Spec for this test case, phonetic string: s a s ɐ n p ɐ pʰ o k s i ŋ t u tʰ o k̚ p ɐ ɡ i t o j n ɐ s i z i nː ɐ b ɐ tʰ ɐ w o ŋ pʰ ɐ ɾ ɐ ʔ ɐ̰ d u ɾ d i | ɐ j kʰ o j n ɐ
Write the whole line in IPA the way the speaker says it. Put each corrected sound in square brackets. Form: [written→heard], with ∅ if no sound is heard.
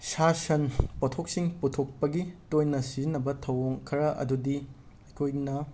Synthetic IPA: s a s ɐ n p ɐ [pʰ→tʰ] o k s i ŋ [t→p] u tʰ o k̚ p ɐ ɡ i t o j n ɐ s i z i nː ɐ b ɐ tʰ ɐ w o ŋ [pʰ→kʰ] ɐ ɾ ɐ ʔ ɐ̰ d u [ɾ→∅] d i | ɐ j kʰ o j n ɐ